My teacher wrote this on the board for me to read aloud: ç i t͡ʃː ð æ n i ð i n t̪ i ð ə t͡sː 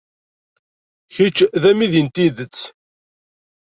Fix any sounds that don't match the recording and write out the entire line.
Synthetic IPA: ç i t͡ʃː ð æ m i ð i n t̪ i ð ə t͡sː